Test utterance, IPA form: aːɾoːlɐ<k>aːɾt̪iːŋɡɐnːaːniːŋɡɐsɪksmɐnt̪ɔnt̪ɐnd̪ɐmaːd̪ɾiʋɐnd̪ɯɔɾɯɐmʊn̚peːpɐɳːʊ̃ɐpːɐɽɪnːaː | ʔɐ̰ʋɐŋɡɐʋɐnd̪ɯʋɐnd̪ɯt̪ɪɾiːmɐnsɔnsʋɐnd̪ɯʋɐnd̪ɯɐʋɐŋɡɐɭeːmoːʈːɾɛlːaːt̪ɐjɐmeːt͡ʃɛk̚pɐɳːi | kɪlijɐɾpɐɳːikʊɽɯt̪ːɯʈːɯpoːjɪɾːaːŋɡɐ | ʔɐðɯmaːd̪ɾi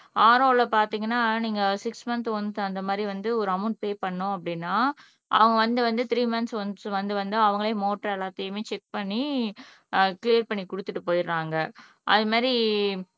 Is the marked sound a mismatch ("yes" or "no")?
yes